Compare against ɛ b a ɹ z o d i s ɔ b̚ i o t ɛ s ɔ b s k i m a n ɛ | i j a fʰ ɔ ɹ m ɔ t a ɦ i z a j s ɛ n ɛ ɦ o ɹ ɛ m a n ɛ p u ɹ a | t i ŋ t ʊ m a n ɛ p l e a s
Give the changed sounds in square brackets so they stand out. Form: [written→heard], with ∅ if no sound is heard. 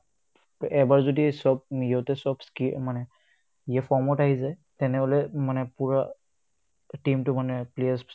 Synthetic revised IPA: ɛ b a ɹ z o d i s ɔ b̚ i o t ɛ s ɔ b s k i m a n ɛ | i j a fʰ ɔ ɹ m ɔ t a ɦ i z a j [s→t] ɛ n ɛ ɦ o [ɹ→l] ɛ m a n ɛ p u ɹ a | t i [ŋ→m] t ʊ m a n ɛ p l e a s